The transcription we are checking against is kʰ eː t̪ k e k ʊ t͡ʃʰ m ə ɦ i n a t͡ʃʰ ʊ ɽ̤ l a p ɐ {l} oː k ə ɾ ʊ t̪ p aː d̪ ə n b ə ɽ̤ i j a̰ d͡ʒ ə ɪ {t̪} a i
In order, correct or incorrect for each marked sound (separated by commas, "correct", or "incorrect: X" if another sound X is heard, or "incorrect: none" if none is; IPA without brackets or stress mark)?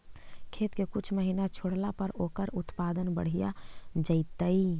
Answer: incorrect: ɾ, correct